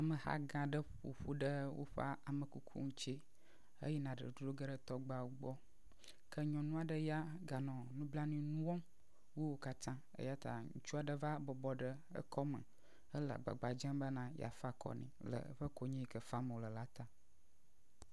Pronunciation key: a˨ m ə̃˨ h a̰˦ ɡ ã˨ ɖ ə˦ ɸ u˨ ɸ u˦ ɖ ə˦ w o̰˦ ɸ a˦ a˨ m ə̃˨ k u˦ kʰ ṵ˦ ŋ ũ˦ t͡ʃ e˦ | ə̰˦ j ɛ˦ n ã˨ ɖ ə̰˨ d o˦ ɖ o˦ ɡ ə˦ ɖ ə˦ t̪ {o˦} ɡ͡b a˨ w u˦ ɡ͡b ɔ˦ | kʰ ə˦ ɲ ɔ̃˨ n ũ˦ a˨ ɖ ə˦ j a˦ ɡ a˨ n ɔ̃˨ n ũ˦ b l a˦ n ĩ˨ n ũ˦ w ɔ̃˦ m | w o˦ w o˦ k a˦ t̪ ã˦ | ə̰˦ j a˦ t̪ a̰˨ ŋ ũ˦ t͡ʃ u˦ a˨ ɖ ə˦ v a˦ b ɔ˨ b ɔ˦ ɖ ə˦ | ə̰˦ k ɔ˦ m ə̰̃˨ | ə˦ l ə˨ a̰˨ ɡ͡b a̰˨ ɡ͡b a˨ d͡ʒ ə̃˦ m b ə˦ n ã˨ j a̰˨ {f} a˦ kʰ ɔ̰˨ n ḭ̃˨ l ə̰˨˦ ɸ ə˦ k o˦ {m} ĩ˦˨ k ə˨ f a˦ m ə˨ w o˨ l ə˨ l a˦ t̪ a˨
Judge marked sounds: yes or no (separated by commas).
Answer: no, yes, no